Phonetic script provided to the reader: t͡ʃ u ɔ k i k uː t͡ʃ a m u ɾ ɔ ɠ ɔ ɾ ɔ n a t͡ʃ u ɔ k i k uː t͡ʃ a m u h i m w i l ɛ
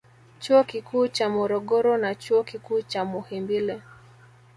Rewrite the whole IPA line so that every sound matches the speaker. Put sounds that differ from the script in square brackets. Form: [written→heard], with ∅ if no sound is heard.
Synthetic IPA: t͡ʃ u ɔ k i k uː t͡ʃ a m [u→ɔ] ɾ ɔ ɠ ɔ ɾ ɔ n a t͡ʃ u ɔ k i k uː t͡ʃ a m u h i m [w→b] i l ɛ